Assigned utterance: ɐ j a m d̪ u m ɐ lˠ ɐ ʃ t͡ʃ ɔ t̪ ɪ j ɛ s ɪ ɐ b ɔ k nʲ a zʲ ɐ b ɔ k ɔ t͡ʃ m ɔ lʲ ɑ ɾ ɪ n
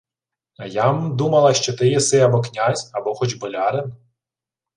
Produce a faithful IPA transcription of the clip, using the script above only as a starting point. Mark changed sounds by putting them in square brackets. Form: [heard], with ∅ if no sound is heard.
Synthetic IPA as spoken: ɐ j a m d̪ u m ɐ lˠ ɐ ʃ t͡ʃ ɔ t̪ ɪ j ɛ s ɪ ɐ b ɔ k nʲ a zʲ ɐ b ɔ [x] ɔ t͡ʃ [b] ɔ lʲ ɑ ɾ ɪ n